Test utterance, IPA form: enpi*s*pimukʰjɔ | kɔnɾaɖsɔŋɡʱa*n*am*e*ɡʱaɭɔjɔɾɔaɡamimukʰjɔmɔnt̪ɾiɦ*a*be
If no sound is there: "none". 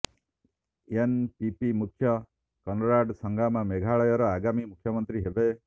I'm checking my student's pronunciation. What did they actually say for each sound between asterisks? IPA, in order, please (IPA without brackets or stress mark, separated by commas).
none, m, e, e